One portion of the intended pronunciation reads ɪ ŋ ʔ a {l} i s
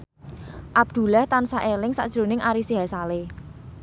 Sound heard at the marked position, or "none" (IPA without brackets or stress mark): ɾ